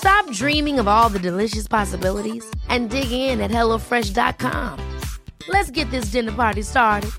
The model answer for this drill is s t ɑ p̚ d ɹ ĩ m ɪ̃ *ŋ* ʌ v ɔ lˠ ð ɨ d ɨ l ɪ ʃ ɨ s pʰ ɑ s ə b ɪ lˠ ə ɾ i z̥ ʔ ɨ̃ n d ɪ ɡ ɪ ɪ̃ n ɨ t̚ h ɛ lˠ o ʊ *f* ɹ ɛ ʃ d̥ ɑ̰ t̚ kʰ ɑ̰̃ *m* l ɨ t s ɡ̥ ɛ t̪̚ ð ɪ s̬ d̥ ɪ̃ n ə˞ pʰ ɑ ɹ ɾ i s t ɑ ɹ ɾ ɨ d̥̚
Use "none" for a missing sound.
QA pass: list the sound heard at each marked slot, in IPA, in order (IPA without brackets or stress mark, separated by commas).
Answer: ŋ, f, m